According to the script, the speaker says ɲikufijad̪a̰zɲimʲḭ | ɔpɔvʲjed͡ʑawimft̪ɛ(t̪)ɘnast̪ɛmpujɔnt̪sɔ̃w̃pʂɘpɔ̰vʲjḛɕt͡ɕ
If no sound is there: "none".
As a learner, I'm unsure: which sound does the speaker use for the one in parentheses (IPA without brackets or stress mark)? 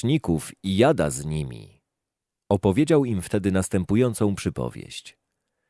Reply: d̪